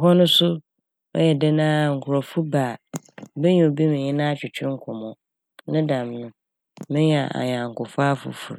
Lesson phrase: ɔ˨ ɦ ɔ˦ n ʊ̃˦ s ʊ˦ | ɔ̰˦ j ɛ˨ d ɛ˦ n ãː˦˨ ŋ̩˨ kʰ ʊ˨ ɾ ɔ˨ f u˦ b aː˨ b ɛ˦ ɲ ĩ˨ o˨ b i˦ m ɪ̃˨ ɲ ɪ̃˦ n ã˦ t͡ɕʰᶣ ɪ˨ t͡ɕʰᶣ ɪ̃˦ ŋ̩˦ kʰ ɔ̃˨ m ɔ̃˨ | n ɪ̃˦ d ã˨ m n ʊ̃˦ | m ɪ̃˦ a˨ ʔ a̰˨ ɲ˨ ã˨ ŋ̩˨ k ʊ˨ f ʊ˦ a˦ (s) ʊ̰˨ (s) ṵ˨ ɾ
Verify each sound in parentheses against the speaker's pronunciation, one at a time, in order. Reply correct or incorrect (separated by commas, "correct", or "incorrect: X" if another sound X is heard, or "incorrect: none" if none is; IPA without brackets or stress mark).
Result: incorrect: f, incorrect: f